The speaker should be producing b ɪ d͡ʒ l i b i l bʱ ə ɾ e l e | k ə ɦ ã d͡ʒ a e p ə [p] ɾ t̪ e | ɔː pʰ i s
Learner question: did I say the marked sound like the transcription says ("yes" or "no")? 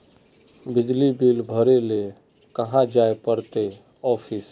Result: no